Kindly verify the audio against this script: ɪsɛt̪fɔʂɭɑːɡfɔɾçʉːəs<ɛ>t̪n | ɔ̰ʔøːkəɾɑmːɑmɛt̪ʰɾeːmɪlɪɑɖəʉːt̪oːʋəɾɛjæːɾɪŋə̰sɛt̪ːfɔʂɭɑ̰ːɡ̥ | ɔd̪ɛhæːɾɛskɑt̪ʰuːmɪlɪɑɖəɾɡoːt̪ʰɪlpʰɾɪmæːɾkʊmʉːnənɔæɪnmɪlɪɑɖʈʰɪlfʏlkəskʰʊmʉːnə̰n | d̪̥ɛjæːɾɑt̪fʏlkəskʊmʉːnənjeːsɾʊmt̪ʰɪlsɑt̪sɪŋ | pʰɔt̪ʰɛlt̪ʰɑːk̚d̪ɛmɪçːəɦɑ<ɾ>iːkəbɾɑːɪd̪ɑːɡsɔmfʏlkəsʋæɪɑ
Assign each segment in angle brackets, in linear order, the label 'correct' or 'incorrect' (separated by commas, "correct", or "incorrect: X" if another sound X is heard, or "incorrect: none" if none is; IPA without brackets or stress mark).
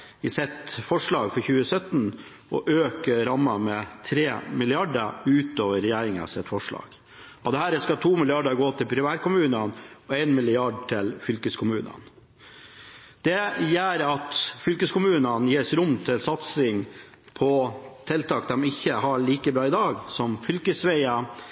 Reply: incorrect: œ, incorrect: ɭ